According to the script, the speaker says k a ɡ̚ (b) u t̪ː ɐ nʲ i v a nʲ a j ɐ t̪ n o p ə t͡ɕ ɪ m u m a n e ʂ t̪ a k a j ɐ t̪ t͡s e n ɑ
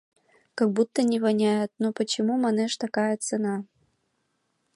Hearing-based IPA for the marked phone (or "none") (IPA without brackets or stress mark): b